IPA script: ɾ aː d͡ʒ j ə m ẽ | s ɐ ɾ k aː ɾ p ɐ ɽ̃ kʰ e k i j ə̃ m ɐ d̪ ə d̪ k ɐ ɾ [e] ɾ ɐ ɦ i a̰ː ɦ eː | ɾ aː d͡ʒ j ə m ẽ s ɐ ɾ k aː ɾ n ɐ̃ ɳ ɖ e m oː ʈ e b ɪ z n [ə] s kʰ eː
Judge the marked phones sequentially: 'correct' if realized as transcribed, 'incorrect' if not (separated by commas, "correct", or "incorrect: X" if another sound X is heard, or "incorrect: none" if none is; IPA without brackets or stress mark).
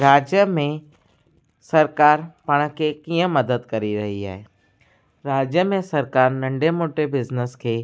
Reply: incorrect: i, correct